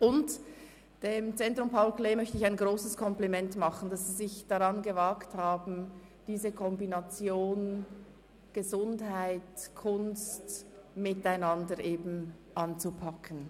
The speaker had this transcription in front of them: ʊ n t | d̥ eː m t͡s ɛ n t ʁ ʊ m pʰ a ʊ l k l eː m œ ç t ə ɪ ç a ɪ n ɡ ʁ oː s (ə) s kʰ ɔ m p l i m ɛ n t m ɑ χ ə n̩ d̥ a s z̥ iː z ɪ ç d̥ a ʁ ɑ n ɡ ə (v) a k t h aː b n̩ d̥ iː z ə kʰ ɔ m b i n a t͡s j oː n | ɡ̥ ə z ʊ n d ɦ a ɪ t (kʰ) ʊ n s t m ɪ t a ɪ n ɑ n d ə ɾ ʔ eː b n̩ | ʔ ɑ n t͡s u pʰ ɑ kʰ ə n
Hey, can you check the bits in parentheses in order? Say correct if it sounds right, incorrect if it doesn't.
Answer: correct, correct, correct

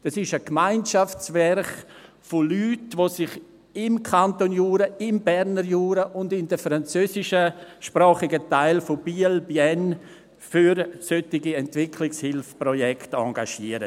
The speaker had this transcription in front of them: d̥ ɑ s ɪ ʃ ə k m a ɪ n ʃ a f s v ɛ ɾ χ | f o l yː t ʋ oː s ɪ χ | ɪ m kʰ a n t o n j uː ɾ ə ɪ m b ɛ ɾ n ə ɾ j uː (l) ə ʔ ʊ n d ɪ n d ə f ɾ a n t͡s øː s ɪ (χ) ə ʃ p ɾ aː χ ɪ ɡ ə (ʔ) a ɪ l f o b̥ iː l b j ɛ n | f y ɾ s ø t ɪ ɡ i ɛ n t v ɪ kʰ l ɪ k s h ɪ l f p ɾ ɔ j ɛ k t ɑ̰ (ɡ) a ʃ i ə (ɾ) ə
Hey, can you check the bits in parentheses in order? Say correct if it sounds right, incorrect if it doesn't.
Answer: incorrect: ɾ, incorrect: ʃ, incorrect: t, correct, correct

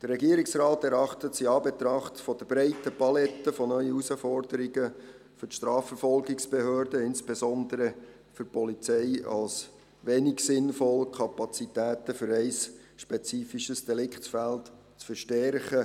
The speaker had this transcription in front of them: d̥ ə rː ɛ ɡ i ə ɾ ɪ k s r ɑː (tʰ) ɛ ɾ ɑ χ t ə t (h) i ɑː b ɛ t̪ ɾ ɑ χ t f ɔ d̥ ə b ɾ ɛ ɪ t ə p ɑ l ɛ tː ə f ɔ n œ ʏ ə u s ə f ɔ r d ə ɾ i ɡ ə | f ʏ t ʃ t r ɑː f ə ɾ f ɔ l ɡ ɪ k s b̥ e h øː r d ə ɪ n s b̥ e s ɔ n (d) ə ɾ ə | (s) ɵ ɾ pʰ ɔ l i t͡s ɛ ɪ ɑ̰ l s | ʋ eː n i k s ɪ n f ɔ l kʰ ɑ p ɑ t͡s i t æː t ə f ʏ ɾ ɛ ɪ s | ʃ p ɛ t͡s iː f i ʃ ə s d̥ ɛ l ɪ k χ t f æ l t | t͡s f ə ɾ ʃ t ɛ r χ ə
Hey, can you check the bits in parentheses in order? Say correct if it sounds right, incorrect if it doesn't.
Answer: incorrect: t, incorrect: s, correct, incorrect: f

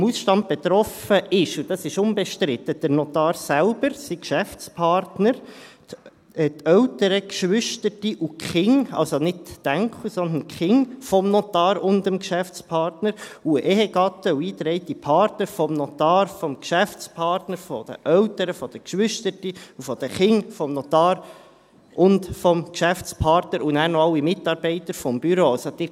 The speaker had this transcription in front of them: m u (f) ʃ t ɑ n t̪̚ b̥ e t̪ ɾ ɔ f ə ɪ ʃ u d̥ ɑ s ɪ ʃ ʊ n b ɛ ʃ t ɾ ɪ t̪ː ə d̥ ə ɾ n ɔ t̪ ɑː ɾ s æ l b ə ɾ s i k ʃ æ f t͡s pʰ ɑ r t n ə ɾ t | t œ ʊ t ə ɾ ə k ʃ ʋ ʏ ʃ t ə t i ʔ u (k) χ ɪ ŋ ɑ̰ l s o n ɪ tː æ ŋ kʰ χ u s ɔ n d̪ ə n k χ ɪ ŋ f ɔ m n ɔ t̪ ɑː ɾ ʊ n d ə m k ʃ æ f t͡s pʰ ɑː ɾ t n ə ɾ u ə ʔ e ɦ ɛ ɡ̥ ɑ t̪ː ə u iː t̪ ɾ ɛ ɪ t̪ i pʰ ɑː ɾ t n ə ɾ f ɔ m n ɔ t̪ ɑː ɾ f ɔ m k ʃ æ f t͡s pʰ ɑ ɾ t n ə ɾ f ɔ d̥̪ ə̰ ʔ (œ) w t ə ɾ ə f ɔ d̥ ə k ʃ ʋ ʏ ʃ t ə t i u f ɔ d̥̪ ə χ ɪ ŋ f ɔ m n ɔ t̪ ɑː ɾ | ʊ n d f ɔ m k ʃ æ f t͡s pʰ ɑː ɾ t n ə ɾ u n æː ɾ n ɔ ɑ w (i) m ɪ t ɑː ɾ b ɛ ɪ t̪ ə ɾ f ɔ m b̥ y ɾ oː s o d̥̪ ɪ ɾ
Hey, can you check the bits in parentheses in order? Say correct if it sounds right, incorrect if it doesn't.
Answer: incorrect: s, correct, correct, correct

